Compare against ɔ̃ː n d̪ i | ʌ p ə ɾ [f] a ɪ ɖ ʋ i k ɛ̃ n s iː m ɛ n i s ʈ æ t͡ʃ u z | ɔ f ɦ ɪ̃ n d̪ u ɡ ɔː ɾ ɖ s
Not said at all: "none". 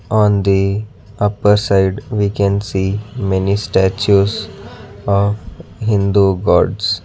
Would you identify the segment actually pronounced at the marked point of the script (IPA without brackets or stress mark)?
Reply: s